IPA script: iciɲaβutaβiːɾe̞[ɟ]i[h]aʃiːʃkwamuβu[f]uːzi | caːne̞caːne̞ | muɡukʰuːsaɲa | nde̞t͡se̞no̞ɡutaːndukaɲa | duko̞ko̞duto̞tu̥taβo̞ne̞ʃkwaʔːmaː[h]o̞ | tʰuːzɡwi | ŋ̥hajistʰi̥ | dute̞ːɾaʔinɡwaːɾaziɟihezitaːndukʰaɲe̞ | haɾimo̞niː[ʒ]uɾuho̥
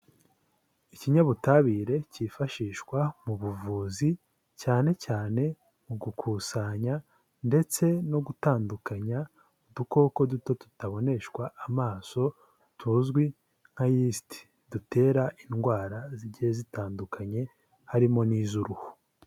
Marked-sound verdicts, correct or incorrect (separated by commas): incorrect, incorrect, incorrect, incorrect, incorrect